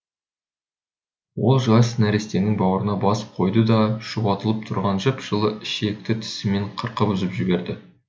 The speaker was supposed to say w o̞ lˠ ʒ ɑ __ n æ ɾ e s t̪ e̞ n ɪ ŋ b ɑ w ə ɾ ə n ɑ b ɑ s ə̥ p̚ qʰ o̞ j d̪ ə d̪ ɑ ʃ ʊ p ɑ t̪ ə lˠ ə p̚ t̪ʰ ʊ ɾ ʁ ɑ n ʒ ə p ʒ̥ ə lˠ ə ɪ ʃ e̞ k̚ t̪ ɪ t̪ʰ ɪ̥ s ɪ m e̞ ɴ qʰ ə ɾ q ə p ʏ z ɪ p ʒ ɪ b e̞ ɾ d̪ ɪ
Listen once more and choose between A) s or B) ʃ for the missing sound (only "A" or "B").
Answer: A